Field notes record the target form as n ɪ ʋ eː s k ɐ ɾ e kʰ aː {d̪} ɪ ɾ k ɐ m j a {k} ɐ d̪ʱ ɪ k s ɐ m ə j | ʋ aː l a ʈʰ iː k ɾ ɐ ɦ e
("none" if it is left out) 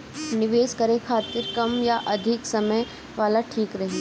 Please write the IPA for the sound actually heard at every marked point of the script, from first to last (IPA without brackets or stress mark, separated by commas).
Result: t̪, ʔ